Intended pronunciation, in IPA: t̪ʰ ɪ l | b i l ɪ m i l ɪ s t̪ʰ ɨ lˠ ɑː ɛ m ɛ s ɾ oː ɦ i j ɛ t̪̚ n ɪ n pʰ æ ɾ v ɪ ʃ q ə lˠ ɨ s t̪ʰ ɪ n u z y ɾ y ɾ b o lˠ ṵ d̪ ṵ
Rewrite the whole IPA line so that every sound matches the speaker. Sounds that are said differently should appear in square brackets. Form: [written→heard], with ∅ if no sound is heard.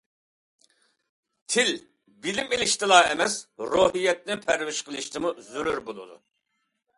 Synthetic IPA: t̪ʰ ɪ l | b i l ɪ m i l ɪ [s→ʃ] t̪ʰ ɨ lˠ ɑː ɛ m ɛ s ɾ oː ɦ i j ɛ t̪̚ n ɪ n pʰ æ ɾ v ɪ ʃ q ə lˠ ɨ [s→ʃ] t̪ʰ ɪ [n→m] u z y ɾ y ɾ b o lˠ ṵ d̪ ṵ